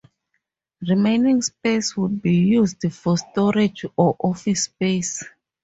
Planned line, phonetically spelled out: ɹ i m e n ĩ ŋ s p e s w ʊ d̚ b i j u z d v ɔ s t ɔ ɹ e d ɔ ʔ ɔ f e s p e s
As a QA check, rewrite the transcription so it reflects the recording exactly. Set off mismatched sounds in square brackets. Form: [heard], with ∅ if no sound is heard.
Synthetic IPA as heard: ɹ i m e n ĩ ŋ s p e s w [u] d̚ b i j u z d [f] ɔ s t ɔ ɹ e [d͡ʒ] ɔ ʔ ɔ f [i] s p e s